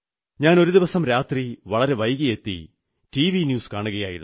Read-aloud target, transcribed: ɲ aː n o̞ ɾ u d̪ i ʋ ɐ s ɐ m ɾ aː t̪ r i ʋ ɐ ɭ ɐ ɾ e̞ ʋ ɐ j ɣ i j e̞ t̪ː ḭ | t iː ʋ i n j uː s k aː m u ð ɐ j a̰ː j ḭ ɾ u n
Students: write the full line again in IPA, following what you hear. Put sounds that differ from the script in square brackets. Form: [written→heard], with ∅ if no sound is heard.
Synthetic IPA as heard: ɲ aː n o̞ ɾ u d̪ i ʋ ɐ s ɐ m ɾ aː t̪ r i ʋ ɐ ɭ ɐ ɾ e̞ ʋ ɐ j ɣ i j e̞ t̪ː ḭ | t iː ʋ i n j uː s k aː [m→ɳ] u [ð→ɣ] ɐ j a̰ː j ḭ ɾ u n